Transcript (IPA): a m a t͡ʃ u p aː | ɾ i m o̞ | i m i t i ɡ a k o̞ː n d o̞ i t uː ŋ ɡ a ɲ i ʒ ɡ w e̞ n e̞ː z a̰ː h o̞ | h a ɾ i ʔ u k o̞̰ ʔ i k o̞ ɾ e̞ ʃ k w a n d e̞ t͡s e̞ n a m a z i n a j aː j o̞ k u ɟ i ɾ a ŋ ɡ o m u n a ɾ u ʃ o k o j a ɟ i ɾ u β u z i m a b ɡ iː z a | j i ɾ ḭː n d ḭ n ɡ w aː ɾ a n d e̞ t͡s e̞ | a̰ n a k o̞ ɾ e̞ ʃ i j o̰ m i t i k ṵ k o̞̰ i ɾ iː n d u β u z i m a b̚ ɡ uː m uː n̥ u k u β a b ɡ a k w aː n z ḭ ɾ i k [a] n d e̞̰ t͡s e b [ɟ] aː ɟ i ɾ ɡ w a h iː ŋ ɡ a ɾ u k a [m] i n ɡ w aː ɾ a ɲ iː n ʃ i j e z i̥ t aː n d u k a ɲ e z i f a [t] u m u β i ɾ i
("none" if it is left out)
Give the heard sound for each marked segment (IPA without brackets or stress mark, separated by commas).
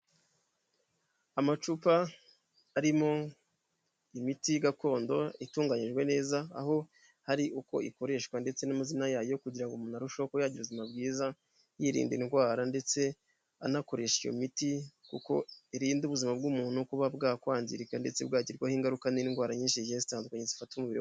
a, ɡ, n, t